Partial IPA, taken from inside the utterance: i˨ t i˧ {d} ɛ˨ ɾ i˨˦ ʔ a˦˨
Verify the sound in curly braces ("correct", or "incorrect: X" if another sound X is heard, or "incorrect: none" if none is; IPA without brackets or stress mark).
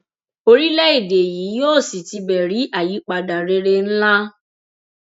incorrect: b